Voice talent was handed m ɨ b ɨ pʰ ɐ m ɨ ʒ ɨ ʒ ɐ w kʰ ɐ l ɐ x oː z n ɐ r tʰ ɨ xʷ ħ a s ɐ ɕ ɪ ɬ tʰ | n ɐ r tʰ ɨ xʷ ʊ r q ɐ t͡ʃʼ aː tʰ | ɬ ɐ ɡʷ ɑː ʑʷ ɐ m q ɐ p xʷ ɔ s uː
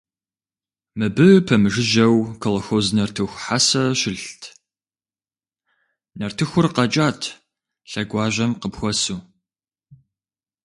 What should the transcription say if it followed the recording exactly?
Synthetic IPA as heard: m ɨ b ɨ pʰ ɐ m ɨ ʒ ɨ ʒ ɐ w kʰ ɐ l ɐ x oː z n ɐ r tʰ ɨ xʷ ħ a s ɐ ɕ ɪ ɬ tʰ | n ɐ r tʰ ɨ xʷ ʊ r q ɐ t͡ʃʼ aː tʰ | ɬ ɐ ɡʷ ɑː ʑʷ ɐ m q ə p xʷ ɔ s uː